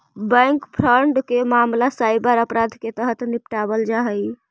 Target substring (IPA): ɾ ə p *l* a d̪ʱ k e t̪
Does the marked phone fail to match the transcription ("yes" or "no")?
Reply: yes